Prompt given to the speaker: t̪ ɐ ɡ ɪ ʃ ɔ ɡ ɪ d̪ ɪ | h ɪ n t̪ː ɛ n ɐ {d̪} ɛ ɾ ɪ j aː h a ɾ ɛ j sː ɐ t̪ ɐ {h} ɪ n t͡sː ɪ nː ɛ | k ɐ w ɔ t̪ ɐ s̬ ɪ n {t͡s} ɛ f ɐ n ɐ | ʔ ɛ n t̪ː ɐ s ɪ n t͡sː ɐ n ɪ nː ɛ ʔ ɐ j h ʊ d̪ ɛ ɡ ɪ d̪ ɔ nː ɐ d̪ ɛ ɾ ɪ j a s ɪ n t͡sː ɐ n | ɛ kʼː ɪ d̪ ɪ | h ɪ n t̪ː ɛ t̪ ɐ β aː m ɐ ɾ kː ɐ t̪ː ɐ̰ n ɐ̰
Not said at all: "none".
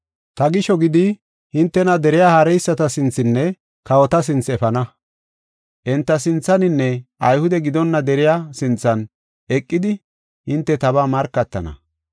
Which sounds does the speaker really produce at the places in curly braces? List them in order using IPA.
d̪, s, t͡s

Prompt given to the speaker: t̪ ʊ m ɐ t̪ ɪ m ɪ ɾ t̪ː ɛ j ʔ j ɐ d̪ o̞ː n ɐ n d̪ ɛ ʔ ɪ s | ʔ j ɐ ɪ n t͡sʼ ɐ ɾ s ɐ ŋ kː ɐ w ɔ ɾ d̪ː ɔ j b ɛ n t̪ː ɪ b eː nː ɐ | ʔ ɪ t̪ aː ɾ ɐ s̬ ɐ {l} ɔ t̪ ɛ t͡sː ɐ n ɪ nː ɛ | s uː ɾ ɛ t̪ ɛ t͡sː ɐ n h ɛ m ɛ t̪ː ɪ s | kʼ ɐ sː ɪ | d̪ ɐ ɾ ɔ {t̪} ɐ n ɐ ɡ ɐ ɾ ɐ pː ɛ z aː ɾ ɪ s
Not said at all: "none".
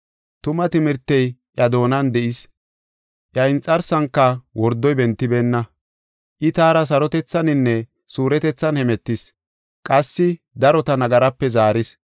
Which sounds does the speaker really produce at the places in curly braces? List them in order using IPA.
ɾ, t̪

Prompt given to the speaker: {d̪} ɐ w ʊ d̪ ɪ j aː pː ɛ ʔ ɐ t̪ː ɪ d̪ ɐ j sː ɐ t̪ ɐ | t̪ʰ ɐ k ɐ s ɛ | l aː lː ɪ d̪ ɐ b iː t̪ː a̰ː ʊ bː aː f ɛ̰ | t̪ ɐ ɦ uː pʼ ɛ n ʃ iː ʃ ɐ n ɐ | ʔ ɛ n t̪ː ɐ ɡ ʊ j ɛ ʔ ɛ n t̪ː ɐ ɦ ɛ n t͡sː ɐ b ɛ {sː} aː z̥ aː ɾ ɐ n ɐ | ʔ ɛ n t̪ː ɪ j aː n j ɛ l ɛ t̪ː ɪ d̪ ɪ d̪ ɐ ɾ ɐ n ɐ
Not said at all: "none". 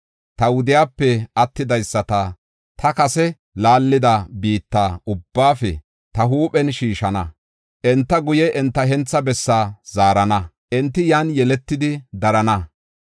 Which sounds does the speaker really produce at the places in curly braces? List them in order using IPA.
t̪, sː

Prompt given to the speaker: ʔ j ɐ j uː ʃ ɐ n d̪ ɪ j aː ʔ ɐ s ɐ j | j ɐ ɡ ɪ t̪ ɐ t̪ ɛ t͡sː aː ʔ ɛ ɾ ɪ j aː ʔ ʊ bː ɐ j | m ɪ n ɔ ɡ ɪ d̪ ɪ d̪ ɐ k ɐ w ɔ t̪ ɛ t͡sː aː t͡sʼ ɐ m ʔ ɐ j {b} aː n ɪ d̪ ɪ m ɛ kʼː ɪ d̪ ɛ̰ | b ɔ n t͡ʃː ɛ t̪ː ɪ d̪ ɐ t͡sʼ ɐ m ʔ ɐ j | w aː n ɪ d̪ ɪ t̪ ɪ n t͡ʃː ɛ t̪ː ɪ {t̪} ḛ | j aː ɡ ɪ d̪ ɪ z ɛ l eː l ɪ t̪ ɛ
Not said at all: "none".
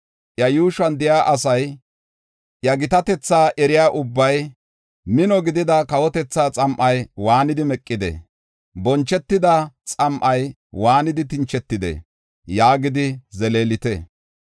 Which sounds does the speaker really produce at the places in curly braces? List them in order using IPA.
w, d̪

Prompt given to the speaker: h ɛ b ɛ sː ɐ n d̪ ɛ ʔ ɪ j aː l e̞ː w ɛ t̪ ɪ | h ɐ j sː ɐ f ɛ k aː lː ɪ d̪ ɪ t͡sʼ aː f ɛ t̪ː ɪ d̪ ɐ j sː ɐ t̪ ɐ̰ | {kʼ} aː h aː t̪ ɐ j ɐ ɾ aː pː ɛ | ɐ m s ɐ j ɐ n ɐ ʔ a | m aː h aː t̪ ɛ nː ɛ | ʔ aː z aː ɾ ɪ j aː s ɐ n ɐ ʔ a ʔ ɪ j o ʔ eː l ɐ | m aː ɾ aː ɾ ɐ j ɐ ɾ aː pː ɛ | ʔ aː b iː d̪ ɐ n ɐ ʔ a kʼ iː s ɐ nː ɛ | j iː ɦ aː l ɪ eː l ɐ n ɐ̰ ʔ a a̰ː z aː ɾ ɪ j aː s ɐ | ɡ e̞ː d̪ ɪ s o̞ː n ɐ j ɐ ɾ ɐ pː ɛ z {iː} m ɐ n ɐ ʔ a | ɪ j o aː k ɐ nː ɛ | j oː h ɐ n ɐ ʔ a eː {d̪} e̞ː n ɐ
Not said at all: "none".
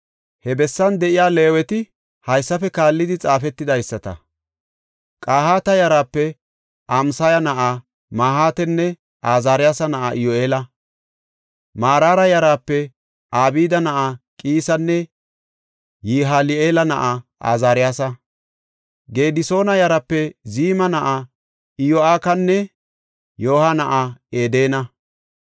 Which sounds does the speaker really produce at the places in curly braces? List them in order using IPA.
kʼ, iː, d̪

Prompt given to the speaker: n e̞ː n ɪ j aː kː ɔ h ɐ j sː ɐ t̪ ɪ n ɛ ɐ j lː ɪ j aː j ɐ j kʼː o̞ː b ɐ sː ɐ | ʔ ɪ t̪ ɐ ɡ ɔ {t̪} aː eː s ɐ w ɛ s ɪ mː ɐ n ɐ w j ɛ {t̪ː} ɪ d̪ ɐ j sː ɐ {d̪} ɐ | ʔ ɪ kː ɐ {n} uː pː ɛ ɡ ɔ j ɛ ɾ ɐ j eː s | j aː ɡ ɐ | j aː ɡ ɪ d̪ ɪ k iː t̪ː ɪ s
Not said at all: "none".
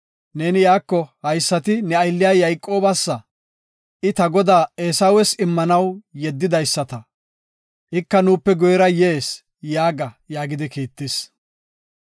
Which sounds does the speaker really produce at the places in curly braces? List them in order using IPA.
d̪, d̪ː, t̪, n

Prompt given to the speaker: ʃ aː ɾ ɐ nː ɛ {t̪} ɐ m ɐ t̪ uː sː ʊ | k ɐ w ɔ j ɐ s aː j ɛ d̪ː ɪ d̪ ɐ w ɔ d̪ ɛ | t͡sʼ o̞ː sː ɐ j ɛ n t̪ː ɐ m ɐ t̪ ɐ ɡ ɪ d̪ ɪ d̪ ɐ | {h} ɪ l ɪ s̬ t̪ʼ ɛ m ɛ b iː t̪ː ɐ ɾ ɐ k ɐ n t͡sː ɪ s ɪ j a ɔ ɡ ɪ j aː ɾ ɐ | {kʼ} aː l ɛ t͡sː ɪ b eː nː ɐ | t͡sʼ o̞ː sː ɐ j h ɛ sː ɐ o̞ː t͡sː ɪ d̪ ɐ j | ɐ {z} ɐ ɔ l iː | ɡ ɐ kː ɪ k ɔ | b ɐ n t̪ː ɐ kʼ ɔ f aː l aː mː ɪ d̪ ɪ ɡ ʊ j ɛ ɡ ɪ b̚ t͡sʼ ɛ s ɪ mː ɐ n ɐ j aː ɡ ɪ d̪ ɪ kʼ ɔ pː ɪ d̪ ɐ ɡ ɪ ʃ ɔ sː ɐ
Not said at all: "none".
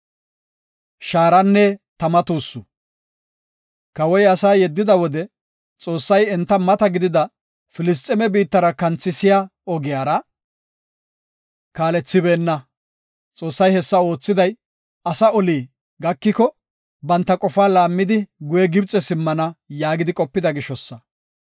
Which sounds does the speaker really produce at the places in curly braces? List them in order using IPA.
t̪, f, k, s

